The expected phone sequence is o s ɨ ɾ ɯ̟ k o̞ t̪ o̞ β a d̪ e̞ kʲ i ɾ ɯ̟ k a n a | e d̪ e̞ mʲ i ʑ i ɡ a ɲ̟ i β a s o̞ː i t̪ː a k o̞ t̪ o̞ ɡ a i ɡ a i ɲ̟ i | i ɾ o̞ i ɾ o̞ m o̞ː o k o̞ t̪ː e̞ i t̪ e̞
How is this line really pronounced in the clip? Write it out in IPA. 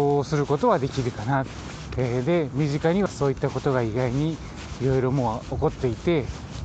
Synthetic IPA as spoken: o s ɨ ɾ ɯ̟ k o̞ t̪ o̞ β a d̪ e̞ kʲ i ɾ ɯ̟ k a n a | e d̪ e̞ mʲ i ʑ i k a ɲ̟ i β a s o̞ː i t̪ː a k o̞ t̪ o̞ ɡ a i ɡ a i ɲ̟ i | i ɾ o̞ i ɾ o̞ m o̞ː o k o̞ t̪ː e̞ i t̪ e̞